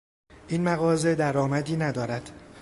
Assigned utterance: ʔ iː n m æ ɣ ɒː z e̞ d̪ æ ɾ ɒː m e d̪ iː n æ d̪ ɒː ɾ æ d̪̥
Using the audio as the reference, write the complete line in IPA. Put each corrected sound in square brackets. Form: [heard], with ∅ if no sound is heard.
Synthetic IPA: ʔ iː n m æ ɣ ɒː z e̞ d̪ æ ɾ ɒː m [æ] d̪ iː n æ d̪ ɒː ɾ æ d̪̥